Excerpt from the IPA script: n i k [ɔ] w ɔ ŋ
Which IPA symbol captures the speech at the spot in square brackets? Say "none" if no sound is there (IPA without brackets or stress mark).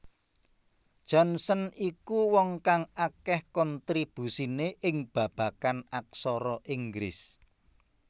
u